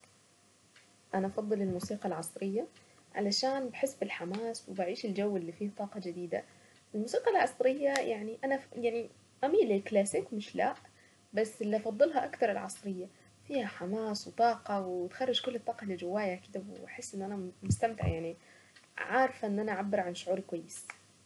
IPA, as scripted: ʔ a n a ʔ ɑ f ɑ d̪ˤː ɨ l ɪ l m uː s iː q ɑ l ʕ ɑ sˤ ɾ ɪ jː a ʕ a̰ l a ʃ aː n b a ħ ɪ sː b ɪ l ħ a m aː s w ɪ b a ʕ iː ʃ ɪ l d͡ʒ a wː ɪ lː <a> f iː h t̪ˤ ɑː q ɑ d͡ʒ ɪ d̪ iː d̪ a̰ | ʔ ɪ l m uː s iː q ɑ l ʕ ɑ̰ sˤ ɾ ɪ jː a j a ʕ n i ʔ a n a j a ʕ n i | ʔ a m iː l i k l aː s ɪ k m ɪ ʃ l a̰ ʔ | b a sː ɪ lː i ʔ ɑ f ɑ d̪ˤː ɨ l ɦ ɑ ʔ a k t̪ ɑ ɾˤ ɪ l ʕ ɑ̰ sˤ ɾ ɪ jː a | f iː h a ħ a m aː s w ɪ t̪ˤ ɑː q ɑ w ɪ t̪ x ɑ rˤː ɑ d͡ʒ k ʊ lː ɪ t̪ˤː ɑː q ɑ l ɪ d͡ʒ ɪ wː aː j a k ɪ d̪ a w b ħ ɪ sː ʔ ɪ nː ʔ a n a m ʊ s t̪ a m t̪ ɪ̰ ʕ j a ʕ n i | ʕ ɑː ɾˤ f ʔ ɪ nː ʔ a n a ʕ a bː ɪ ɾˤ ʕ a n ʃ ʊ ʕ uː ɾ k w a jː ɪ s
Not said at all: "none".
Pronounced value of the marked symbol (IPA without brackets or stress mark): i